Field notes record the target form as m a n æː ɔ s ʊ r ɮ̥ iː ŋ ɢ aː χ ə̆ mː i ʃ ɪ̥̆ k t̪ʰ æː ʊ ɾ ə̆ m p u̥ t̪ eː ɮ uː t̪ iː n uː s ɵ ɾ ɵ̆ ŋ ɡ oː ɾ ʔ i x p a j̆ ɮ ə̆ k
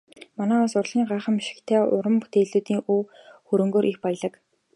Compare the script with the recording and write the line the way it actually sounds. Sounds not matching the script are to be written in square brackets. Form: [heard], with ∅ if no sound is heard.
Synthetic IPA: m a n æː ɔ s ʊ r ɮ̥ iː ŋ ɢ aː χ ə̆ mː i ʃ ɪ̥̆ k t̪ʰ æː ʊ ɾ ə̆ m p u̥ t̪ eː ɮ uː t̪ iː [ŋ] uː [x] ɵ ɾ ɵ̆ ŋ ɡ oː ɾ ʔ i x p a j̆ ɮ ə̆ k